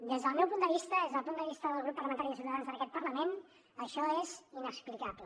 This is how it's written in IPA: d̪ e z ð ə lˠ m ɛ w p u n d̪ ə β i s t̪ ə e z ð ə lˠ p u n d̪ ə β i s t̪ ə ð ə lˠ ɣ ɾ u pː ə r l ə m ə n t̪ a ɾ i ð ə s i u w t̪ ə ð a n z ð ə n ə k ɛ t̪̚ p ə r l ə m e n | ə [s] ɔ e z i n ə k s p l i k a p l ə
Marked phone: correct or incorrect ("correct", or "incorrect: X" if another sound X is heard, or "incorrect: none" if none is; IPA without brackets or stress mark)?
incorrect: ʃ